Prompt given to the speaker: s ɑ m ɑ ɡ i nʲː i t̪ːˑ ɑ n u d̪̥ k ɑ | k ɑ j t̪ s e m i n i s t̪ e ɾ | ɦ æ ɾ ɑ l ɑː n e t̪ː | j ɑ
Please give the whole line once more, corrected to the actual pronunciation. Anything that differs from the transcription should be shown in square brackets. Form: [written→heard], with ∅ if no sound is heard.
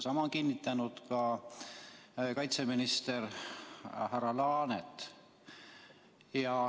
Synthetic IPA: s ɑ m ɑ [ɡ→k] i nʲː i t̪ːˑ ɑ n u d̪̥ k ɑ | k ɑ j t̪ s e m i n i s t̪ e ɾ | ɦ æ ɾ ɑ l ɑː n e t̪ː | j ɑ